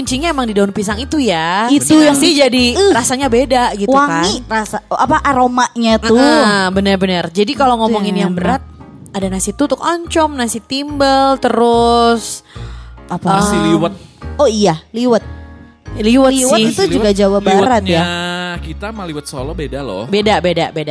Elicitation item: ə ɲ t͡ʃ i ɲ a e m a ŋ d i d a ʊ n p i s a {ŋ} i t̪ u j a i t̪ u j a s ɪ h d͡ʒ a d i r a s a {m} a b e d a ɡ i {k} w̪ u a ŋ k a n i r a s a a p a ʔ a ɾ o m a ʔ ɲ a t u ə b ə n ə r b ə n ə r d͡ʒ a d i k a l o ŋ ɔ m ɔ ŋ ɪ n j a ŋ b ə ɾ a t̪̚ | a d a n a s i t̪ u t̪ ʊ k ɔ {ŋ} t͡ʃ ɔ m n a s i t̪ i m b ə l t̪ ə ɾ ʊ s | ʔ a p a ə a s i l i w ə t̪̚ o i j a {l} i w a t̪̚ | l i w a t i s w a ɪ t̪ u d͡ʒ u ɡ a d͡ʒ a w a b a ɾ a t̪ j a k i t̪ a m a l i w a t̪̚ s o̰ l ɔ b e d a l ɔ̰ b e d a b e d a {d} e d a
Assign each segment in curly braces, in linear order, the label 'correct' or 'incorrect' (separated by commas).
correct, incorrect, incorrect, incorrect, correct, incorrect